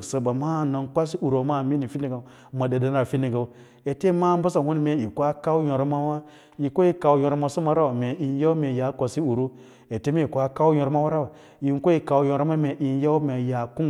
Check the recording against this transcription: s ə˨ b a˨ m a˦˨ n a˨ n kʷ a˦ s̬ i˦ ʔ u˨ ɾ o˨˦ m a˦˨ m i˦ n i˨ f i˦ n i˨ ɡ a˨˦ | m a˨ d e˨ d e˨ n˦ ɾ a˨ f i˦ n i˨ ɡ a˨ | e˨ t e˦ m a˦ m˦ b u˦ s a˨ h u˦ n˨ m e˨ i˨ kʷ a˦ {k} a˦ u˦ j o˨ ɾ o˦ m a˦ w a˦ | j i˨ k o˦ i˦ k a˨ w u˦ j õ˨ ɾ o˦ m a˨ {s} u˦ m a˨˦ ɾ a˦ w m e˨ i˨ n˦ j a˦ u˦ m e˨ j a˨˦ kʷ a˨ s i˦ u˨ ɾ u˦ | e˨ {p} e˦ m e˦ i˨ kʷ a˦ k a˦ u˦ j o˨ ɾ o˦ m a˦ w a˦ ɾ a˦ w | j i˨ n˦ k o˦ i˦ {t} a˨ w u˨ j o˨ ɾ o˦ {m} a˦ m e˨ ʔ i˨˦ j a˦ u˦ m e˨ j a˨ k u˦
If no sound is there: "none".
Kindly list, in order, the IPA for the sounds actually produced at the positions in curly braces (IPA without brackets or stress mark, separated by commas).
k, s, t, k, m